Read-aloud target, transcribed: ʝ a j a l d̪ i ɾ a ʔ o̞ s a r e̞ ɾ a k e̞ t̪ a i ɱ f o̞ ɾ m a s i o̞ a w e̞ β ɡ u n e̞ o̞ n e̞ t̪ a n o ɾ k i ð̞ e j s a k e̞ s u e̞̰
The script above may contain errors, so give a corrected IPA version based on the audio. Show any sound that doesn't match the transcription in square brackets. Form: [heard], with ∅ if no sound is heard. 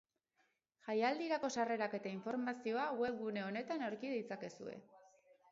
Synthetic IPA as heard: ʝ a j a l d̪ i ɾ a [k] o̞ s a r e̞ ɾ a k e̞ t̪ a i ɱ f o̞ ɾ m a s i o̞ a w e̞ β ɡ u n e̞ o̞ n e̞ t̪ a n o ɾ k i ð̞ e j [t͡s] a k e̞ s u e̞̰